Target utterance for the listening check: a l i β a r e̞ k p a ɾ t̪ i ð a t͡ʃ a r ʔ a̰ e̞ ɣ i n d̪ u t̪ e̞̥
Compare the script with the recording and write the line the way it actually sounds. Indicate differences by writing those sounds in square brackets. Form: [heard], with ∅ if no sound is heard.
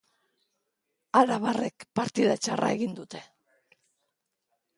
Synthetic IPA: a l [a] β a r e̞ k p a ɾ t̪ i ð a t͡ʃ a r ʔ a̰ e̞ ɣ i n d̪ u t̪ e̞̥